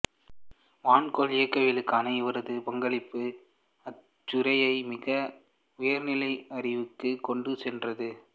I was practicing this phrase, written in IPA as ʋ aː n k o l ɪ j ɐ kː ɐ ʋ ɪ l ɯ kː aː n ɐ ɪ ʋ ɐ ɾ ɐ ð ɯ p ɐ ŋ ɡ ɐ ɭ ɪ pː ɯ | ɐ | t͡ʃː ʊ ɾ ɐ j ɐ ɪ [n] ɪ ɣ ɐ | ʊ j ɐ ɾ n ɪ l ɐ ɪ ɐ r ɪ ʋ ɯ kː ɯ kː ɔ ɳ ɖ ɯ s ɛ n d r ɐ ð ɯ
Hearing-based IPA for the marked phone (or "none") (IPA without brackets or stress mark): m